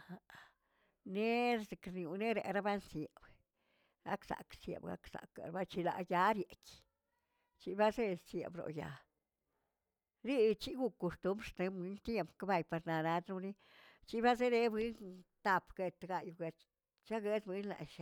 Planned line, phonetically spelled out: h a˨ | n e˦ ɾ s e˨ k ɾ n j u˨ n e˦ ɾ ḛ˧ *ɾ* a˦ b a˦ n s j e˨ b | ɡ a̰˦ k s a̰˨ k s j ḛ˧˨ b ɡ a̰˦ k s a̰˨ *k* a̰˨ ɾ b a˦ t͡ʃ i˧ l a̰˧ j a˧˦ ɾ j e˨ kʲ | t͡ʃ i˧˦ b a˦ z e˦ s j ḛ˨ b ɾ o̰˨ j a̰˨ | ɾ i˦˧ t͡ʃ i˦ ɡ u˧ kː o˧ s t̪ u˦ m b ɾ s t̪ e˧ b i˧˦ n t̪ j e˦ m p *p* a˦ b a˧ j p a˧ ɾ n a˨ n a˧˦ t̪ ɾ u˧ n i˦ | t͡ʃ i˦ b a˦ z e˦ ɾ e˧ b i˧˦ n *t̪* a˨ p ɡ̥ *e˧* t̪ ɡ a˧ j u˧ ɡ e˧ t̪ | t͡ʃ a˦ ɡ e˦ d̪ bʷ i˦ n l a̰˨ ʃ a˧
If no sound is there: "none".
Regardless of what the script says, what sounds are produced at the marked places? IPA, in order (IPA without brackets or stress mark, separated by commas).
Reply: ɾ, k, k, t̪, e˧